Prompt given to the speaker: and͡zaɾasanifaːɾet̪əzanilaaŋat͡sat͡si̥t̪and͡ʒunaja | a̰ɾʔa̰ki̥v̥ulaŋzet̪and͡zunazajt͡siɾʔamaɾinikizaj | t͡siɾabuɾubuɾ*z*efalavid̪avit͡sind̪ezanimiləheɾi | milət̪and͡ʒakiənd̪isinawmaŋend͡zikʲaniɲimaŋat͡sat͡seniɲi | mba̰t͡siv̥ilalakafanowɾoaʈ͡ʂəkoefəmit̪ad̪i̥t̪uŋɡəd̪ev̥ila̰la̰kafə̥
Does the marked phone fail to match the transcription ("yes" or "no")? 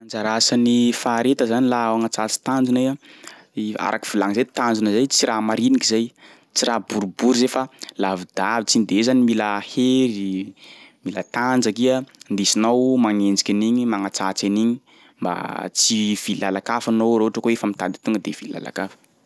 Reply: no